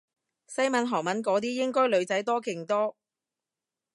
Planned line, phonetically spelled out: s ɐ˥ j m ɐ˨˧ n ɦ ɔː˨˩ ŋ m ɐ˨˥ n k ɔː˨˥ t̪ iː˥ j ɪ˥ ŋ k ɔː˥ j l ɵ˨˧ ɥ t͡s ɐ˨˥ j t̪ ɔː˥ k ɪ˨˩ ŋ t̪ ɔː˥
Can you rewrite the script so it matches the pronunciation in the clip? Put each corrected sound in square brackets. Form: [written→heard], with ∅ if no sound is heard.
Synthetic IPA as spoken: s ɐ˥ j m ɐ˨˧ n ɦ ɔː˨˩ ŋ m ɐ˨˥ n k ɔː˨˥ t̪ iː˥ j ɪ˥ ŋ k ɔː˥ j l ɵ˨˧ ɥ t͡s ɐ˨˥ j t̪ ɔː˥ k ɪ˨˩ ŋ t̪ ɔː˥